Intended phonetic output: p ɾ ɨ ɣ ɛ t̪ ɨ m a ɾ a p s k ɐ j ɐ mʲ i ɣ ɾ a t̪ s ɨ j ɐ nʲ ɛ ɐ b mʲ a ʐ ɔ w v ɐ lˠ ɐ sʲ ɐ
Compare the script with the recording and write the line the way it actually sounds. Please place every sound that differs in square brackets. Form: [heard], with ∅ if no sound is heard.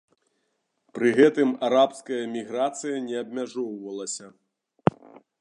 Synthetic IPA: p ɾ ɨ ɣ ɛ t̪ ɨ m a ɾ a p s k ɐ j ɐ mʲ i ɣ ɾ a t̪ s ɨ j ɐ nʲ ɛ ɐ b mʲ a ʐ ɔ w v ɐ lˠ ɐ sʲ ɐ